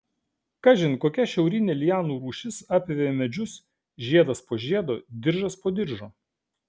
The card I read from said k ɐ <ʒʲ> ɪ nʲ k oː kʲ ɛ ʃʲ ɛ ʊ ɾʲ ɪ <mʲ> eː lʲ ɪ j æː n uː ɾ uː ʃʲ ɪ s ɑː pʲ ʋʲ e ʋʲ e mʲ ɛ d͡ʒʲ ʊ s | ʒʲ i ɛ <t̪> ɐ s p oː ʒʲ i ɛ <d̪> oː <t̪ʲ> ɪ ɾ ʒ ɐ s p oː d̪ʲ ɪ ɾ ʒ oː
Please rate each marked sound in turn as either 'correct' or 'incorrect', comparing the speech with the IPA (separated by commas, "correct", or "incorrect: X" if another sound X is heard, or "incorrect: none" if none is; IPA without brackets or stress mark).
correct, incorrect: nʲ, incorrect: d̪, correct, incorrect: d̪ʲ